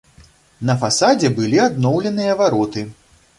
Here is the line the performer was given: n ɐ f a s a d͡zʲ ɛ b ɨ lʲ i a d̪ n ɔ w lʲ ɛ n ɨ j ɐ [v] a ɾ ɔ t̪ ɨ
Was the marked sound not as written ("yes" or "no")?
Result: no